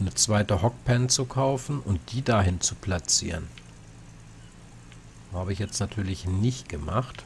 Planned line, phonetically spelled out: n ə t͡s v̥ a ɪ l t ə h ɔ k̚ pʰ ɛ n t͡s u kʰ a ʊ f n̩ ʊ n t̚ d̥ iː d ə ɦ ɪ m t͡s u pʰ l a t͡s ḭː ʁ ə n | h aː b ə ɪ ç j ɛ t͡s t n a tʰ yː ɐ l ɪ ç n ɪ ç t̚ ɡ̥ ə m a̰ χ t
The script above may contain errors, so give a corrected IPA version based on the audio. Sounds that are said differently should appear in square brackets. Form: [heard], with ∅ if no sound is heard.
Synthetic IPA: n ə t͡s v̥ a ɪ [∅] t ə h ɔ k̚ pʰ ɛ n t͡s u kʰ a ʊ f n̩ ʊ n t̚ d̥ iː d [a] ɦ ɪ [n] t͡s u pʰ l a t͡s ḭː ʁ ə n | h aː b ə ɪ ç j ɛ t͡s t n a tʰ yː ɐ l ɪ ç n ɪ ç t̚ ɡ̥ ə m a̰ χ t